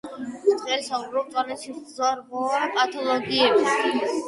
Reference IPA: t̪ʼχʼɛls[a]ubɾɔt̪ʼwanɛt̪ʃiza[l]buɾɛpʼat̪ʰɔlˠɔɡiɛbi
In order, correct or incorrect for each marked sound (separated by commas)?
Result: correct, incorrect